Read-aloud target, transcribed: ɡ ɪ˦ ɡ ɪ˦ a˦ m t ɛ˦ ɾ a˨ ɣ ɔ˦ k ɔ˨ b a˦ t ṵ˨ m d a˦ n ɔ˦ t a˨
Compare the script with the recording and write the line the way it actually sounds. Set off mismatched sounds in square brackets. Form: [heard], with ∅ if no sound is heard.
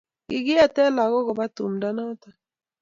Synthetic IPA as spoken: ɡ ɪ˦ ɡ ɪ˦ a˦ [∅] t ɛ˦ [l] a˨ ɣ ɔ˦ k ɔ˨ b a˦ t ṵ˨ m d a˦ n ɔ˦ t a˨

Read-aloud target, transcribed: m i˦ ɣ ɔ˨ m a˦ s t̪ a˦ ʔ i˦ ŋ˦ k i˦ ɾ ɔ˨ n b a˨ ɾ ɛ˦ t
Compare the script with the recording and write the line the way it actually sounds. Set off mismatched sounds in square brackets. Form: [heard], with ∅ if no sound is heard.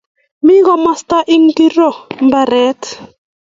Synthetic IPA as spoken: m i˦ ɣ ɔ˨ m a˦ s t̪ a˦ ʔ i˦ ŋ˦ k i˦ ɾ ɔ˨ [m] b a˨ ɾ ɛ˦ t

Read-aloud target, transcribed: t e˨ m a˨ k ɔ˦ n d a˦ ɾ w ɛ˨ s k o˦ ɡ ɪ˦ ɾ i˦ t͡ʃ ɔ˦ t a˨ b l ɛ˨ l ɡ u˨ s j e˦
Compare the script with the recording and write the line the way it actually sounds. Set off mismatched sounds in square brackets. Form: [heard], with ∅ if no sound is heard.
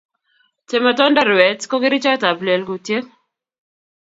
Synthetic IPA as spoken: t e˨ m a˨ [t] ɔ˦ n d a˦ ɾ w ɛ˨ [t] k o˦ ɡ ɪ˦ ɾ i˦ t͡ʃ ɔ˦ t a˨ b l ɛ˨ l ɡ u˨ [t] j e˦

